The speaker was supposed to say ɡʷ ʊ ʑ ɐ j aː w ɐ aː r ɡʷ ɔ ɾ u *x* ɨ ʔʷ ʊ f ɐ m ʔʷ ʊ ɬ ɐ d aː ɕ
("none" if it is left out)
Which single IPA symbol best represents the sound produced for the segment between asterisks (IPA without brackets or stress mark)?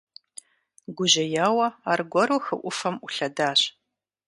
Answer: x